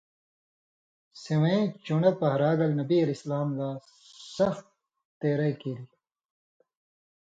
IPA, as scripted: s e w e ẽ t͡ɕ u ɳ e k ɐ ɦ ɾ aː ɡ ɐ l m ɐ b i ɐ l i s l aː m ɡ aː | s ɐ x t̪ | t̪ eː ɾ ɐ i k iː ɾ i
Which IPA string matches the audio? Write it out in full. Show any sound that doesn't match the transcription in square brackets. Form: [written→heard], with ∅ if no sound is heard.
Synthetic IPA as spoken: s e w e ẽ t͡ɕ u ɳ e [k→p] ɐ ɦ ɾ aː ɡ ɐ l [m→n] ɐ b i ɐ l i s l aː m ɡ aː | s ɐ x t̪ | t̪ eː ɾ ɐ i k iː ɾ i